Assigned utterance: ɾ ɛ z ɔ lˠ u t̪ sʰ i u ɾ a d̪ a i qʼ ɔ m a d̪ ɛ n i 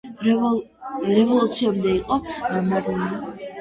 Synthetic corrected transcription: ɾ ɛ v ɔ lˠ u t̪ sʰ i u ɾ i d̪ a i qʼ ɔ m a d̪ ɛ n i